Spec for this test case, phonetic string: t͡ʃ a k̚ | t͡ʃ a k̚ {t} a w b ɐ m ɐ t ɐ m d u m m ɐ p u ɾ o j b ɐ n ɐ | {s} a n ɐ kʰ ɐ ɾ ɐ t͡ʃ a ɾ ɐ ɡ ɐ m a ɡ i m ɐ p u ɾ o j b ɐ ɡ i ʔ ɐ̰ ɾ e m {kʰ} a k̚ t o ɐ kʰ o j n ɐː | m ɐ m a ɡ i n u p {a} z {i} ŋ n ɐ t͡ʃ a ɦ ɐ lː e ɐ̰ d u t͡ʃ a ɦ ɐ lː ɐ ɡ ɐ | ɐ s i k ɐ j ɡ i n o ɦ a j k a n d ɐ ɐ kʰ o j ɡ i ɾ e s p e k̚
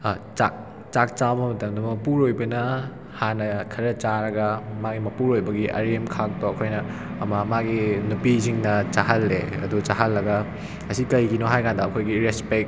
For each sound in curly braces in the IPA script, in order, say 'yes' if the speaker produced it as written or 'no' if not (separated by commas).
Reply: no, no, yes, no, yes